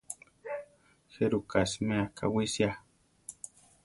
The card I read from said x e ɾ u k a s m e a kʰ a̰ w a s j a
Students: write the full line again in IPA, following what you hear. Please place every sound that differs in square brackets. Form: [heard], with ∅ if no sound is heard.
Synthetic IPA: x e ɾ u k a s m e a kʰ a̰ w [i] s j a